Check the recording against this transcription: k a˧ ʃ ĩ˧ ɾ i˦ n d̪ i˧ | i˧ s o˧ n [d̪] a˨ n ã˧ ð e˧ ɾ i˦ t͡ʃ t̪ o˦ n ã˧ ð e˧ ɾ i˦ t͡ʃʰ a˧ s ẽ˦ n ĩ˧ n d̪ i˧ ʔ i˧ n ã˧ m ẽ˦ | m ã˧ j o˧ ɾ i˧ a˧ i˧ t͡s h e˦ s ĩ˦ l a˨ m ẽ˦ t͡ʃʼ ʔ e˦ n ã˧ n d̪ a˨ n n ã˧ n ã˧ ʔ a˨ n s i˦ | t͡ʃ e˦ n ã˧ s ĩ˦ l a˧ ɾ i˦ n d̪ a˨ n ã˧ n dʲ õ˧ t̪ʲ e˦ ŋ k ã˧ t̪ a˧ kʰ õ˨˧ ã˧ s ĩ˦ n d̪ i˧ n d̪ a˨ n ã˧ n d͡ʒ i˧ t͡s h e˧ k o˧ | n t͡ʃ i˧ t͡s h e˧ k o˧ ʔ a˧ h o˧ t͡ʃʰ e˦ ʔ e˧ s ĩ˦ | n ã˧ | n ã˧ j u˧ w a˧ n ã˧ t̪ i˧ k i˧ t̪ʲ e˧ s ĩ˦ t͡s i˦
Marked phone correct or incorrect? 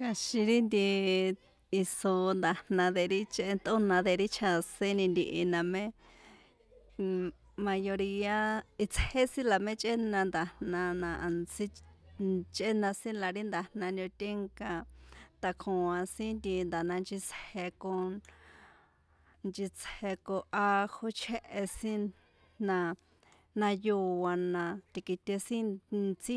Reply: correct